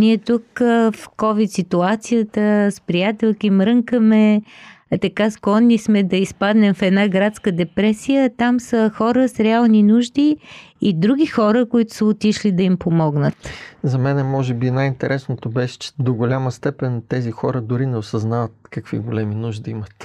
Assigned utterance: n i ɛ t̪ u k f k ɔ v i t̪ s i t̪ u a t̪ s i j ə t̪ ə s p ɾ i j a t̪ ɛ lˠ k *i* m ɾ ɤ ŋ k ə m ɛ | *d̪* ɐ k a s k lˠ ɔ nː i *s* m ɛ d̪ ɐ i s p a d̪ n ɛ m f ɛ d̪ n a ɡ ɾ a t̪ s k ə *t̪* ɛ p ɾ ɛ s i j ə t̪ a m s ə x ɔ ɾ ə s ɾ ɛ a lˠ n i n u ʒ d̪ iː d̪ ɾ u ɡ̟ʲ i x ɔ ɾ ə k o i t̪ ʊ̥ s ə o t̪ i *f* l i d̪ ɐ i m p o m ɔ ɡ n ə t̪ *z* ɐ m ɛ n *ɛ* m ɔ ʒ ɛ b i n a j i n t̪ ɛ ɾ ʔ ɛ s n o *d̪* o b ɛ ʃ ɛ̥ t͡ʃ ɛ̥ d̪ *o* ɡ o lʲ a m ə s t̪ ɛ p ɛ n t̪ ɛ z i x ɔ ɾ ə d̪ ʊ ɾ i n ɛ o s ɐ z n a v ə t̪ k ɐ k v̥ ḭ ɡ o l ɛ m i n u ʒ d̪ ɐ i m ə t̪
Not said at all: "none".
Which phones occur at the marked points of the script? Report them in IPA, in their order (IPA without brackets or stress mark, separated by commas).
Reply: i, t̪, s, d̪, ʃ, z, ɛ, t̪, o